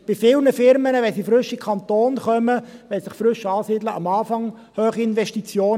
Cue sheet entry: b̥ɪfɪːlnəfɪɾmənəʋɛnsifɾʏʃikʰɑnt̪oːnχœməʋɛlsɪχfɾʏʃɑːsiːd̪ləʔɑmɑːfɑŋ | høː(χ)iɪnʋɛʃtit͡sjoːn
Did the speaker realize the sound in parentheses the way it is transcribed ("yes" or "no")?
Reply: yes